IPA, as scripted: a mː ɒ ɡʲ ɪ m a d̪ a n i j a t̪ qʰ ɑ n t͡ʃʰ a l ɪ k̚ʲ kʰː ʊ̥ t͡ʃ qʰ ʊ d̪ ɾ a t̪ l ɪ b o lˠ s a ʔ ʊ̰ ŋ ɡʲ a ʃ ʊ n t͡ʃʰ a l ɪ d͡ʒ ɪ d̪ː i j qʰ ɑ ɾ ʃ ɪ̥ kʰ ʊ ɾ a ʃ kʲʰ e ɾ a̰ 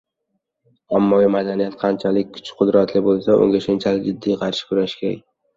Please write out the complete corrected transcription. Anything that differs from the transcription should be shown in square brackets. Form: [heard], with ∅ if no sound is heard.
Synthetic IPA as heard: a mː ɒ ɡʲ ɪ m a d̪ a n i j a t̪ qʰ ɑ n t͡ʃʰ a l ɪ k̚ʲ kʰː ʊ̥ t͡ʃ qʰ ʊ d̪ ɾ a t̪ l ɪ b o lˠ s a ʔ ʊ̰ ŋ ɡʲ a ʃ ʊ n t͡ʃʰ a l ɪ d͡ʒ ɪ d̪ː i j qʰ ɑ ɾ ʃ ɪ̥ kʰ ʊ ɾ a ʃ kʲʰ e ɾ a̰